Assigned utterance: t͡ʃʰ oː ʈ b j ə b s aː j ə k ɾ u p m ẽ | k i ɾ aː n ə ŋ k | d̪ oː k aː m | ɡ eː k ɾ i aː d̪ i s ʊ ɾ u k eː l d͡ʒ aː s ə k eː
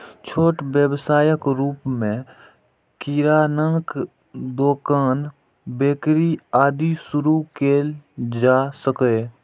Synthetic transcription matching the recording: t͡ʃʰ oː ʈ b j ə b s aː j ə k ɾ uː p m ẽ | k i ɾ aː n ə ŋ k | d̪ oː k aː n | b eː k ɾ i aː d̪ i s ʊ ɾ u k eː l d͡ʒ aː s ə k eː